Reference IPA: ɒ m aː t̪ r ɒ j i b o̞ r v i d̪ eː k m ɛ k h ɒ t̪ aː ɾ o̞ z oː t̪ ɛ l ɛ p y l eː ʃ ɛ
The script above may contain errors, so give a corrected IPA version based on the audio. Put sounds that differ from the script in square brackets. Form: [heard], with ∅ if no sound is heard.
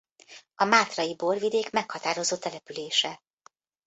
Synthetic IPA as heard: ɒ m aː t̪ r ɒ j i b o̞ r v i d̪ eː k m ɛ k h ɒ t̪ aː ɾ o̞ z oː t̪ ɛ l ɛ p y l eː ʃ ɛ